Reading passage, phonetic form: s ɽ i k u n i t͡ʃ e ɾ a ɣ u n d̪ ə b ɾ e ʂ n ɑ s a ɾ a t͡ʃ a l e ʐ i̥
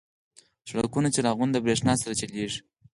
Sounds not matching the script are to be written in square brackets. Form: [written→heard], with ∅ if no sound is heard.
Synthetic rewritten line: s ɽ [i→a] k u n [i→a] t͡ʃ e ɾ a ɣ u n d̪ ə b ɾ e ʂ n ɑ s a ɾ a t͡ʃ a l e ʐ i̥